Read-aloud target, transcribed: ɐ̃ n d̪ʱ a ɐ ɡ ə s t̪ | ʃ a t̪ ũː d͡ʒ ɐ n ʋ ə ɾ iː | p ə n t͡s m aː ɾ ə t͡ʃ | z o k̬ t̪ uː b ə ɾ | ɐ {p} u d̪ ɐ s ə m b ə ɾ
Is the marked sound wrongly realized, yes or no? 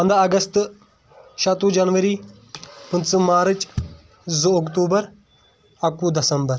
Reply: yes